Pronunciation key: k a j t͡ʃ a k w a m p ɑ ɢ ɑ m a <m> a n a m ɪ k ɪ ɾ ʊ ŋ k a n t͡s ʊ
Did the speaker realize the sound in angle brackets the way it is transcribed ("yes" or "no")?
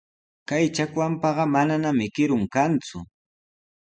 no